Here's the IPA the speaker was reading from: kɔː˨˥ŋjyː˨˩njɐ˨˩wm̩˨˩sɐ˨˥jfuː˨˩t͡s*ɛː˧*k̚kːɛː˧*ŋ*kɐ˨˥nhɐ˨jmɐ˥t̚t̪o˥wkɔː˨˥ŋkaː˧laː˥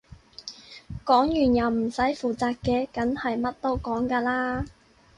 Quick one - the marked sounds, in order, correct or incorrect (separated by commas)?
incorrect, incorrect